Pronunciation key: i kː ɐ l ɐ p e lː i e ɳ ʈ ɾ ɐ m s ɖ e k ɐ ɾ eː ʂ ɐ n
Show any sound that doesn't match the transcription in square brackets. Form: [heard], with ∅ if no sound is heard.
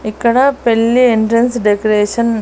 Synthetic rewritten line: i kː ɐ [ɽ] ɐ p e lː i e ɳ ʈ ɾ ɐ [n] s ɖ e k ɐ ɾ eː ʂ ɐ n